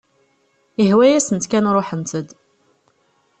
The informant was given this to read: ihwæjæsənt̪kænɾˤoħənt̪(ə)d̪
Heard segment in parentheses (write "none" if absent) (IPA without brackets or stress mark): ə